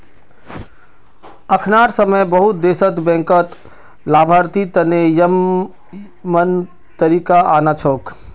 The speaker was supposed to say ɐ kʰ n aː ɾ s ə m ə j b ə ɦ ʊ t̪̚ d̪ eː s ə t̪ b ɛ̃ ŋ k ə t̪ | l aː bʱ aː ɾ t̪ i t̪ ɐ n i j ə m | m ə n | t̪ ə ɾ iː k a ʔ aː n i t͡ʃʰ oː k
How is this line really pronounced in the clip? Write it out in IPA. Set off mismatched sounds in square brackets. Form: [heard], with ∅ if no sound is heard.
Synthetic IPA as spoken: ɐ kʰ n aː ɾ s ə m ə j b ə ɦ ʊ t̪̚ d̪ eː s ə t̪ b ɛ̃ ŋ k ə t̪ | l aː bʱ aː ɾ t̪ i t̪ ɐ n [e] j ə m | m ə n | t̪ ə ɾ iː k a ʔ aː n [a] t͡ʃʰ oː k